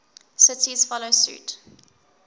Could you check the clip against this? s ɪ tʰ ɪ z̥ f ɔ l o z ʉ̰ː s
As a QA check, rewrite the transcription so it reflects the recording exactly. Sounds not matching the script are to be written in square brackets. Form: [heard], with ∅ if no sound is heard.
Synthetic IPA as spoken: s ɪ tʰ [i] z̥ f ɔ l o [s] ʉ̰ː [t]